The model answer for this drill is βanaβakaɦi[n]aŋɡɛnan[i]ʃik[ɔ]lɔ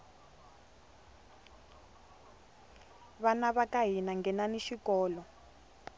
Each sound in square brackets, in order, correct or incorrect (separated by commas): correct, correct, incorrect